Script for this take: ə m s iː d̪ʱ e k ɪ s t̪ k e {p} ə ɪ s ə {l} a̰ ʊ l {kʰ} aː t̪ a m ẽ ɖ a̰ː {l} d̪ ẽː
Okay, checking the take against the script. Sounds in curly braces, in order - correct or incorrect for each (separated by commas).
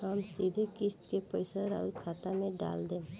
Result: correct, incorrect, correct, correct